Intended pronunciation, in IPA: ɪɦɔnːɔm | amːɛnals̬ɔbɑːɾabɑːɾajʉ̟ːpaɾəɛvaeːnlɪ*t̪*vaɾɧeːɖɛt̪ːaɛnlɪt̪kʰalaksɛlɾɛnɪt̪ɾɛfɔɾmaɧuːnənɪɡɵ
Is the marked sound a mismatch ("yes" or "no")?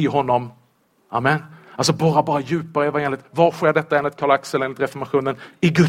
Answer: no